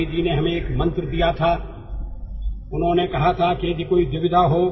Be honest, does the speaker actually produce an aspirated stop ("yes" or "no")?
yes